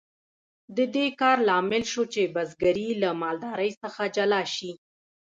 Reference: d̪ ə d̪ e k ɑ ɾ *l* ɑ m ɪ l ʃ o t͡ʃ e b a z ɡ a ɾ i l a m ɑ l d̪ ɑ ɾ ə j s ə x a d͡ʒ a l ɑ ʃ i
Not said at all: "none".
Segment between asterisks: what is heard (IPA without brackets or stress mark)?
l